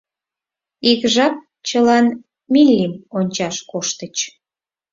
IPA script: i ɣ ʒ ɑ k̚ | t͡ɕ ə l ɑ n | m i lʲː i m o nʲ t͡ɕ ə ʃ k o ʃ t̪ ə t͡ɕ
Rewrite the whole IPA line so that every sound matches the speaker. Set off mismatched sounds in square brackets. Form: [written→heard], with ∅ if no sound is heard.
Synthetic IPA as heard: i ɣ ʒ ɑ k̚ | t͡ɕ ə l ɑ n | m i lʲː i m o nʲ t͡ɕ [ə→ɑ] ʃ k o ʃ t̪ ə t͡ɕ